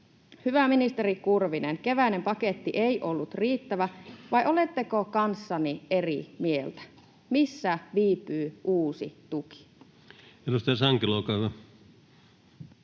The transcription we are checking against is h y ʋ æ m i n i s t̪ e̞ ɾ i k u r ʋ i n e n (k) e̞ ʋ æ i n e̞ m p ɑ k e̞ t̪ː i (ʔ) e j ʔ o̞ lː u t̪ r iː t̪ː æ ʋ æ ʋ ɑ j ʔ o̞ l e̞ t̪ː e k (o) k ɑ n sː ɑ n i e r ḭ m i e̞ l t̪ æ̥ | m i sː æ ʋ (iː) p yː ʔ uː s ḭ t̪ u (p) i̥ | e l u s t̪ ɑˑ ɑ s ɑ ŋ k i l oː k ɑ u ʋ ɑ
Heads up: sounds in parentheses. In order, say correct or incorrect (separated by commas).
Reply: correct, correct, correct, correct, incorrect